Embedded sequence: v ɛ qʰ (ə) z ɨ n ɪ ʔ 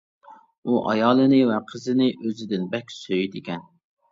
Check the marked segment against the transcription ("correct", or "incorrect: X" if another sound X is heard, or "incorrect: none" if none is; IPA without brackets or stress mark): correct